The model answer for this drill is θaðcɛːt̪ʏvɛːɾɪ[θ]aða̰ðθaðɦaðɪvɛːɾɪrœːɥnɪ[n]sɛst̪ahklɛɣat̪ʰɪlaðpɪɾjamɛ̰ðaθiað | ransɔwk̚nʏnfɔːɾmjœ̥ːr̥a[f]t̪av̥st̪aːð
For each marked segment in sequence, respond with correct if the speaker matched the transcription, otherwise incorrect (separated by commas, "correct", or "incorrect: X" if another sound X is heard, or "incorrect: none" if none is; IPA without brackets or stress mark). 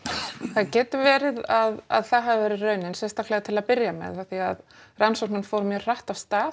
incorrect: ð, correct, incorrect: h